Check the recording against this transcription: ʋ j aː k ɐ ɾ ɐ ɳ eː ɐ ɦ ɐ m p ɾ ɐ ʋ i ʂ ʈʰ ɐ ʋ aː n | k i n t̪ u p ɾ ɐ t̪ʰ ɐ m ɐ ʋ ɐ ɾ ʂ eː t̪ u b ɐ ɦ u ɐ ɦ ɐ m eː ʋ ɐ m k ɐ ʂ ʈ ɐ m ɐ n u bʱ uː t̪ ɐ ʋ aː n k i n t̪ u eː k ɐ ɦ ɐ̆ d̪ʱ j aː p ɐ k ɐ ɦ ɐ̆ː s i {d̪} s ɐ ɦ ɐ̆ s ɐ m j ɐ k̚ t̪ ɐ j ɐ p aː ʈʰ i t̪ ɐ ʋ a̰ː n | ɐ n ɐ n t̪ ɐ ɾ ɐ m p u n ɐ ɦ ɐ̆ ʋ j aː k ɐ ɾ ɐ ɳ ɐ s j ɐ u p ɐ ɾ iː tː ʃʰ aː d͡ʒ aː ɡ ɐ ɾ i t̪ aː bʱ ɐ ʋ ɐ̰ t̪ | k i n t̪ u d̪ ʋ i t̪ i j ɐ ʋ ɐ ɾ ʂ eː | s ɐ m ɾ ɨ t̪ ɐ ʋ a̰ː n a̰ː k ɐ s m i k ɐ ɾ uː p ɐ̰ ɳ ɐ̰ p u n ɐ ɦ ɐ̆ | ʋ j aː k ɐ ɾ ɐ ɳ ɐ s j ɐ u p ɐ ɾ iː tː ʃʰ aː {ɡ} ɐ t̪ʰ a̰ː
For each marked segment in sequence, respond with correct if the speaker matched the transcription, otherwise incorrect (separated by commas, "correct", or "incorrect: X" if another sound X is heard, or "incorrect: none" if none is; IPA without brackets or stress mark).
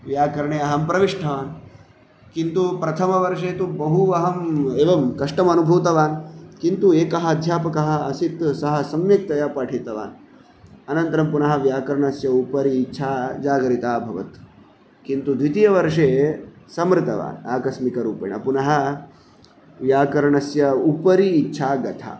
incorrect: t̪, correct